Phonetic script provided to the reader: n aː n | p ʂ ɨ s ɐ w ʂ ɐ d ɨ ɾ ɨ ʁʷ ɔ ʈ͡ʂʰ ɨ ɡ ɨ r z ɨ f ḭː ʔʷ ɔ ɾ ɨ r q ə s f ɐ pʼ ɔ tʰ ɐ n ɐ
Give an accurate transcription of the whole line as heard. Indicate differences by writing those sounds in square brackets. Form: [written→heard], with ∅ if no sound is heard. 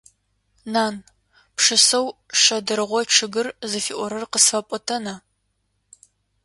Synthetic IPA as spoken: n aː n | p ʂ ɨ s ɐ w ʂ ɐ d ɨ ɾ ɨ ʁʷ ɔ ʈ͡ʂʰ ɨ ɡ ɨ r z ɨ f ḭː ʔʷ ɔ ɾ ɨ r q ə s f ɐ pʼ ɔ tʰ ɐ n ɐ